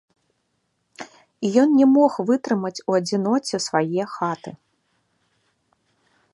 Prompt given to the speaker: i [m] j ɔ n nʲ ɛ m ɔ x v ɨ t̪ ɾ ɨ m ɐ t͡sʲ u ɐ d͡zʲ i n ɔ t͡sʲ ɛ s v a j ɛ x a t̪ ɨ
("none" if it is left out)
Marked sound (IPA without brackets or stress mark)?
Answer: none